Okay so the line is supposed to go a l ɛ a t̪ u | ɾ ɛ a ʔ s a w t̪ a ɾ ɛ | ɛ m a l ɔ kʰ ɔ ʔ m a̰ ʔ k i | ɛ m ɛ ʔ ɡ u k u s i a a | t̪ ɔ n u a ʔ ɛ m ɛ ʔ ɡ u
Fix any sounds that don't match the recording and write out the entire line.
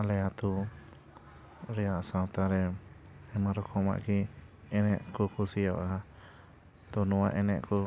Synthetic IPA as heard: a l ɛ a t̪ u | ɾ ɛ a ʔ s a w t̪ a ɾ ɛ | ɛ m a ɾ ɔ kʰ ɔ m a̰ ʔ k i | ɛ n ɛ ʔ k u k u s i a a | t̪ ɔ n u a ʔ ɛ n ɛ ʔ k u